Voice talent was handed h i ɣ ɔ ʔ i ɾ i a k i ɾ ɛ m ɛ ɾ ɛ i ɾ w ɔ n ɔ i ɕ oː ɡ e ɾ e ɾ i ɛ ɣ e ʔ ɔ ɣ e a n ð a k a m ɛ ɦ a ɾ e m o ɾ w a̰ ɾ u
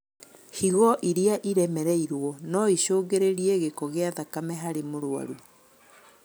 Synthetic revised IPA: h i ɣ ɔ ʔ i ɾ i a ʔ i ɾ ɛ m ɛ ɾ ɛ i ɾ w ɔ n ɔ i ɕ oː ɡ e ɾ e ɾ i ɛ ɣ e k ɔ ɣ e a ð a k a m ɛ ɦ a ɾ e m o ɾ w a̰ ɾ u